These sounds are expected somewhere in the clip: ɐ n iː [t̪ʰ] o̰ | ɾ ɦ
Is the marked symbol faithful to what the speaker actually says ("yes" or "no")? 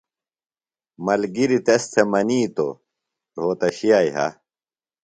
no